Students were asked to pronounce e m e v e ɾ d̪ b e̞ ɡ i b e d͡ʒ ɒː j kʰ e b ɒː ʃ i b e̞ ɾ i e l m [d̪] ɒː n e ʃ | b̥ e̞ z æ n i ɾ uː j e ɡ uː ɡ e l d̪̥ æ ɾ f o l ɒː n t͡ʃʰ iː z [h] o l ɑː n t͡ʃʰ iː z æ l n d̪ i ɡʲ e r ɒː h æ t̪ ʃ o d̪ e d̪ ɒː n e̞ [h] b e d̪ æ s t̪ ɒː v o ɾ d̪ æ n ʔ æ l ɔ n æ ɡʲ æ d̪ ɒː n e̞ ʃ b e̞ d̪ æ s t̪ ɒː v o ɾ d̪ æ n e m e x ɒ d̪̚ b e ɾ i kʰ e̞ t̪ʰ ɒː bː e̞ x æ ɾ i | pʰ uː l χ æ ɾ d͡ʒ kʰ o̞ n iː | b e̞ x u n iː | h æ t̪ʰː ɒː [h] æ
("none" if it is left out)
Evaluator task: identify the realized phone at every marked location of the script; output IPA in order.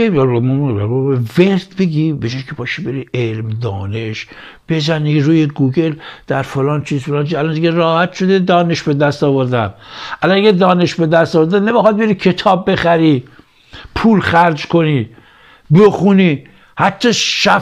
d̪, f, ʃ, ʃ

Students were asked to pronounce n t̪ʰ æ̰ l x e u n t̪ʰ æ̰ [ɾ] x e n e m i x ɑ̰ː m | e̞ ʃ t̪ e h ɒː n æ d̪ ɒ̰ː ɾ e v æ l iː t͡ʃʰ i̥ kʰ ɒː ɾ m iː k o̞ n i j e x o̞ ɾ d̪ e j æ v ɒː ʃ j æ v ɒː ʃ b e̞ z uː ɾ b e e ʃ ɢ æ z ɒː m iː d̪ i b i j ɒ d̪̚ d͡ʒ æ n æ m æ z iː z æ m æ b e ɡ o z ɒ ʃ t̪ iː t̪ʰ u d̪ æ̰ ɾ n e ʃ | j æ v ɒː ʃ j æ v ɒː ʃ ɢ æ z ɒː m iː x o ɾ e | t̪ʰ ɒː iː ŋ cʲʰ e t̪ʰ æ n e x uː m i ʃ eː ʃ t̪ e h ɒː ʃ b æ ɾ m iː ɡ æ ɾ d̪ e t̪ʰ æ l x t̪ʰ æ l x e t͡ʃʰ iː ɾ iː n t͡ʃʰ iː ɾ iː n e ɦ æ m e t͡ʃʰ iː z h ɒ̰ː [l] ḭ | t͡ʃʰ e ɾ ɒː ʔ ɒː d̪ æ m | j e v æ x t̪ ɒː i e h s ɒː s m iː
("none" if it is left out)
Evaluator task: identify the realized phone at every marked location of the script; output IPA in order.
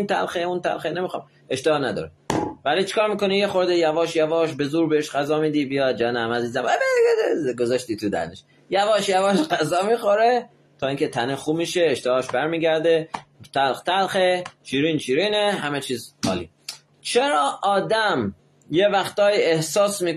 l, l

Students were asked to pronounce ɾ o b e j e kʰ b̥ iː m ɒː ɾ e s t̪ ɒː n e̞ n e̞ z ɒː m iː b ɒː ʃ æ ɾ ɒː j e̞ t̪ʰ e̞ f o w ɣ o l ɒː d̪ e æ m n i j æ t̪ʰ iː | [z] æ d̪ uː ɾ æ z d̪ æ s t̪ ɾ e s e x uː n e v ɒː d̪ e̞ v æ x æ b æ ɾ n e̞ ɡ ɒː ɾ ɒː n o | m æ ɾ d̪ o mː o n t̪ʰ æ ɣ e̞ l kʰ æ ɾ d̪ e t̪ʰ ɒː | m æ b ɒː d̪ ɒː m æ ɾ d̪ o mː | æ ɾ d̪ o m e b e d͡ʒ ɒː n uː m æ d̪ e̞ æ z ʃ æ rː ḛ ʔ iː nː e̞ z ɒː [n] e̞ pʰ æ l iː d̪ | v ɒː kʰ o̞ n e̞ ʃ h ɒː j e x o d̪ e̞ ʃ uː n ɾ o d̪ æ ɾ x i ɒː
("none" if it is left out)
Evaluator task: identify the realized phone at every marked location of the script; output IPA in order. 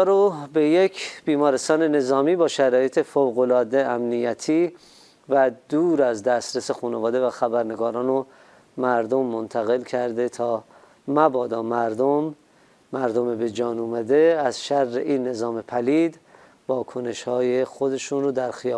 v, m

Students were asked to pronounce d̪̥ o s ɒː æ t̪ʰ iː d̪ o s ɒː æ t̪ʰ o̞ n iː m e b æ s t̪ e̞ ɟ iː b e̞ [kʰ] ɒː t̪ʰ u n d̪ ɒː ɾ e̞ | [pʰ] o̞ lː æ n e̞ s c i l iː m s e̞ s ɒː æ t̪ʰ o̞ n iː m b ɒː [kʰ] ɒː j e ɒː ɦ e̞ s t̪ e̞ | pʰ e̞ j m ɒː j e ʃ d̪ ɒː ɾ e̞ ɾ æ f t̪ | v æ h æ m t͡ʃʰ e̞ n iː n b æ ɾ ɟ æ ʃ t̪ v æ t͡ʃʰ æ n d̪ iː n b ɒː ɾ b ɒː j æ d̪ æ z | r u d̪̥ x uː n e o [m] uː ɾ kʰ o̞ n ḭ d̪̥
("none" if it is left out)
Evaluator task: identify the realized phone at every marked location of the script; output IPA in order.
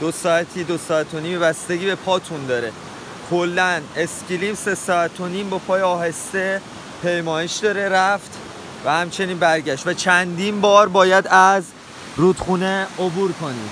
pʰ, kʰ, pʰ, b

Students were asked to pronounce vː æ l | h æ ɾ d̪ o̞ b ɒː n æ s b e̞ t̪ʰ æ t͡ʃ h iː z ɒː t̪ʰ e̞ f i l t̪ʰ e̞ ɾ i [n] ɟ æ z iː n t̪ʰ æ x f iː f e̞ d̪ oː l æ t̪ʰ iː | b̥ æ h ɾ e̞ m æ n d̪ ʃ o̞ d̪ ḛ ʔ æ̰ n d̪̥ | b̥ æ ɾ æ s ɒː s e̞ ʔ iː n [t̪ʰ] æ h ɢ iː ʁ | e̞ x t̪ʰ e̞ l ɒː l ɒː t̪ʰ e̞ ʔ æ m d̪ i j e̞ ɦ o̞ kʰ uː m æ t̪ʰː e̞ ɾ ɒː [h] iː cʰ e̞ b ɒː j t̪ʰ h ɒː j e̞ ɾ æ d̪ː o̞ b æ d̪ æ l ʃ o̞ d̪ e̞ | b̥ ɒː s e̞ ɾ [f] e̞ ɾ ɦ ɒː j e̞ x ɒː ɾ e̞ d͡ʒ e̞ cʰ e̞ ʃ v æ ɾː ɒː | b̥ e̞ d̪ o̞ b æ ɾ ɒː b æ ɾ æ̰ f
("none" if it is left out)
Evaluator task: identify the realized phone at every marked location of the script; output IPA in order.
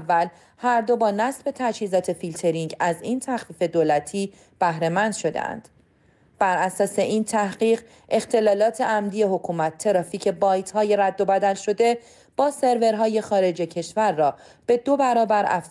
ŋ, t̪ʰ, f, v

